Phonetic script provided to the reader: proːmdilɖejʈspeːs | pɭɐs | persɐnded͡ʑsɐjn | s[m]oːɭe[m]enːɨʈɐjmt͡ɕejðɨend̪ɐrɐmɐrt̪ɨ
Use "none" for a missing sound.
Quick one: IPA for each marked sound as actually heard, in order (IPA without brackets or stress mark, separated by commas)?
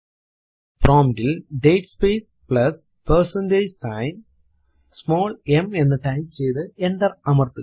m, m